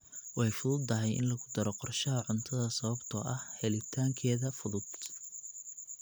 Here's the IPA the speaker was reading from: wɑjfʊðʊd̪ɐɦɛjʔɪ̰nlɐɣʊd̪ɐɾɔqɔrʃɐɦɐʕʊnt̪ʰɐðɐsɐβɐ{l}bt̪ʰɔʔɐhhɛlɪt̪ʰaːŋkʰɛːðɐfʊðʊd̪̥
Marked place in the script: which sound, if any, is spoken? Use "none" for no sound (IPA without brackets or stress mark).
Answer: none